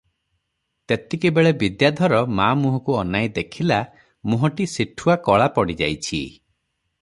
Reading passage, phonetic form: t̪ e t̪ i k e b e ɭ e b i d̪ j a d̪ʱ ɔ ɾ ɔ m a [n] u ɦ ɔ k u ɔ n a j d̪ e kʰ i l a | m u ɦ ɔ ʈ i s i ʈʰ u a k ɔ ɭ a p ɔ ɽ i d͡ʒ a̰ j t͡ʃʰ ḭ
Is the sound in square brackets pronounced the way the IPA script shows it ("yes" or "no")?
no